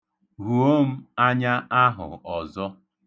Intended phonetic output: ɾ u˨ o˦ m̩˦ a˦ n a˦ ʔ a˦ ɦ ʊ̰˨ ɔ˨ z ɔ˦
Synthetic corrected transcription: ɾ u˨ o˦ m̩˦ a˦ ɲ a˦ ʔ a˦ ɦ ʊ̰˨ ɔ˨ z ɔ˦